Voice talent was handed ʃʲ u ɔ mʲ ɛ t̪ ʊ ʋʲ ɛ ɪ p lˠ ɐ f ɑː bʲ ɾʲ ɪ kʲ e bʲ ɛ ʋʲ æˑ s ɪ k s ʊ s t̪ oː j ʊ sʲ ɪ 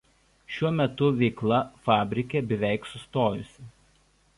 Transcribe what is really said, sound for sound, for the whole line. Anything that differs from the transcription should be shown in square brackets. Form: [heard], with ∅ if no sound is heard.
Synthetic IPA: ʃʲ u ɔ mʲ ɛ t̪ ʊ ʋʲ ɛ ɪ [k] lˠ ɐ f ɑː bʲ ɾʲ ɪ kʲ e bʲ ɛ ʋʲ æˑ [∅] ɪ k s ʊ s t̪ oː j ʊ sʲ ɪ